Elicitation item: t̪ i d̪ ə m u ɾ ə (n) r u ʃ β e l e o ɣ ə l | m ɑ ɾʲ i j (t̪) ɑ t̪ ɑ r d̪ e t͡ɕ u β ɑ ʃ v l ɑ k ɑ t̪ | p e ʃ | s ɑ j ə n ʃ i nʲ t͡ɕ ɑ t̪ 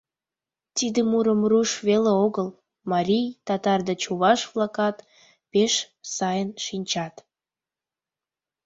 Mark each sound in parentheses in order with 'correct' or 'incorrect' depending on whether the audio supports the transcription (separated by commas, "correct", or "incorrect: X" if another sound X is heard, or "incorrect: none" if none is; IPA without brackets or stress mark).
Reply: incorrect: m, correct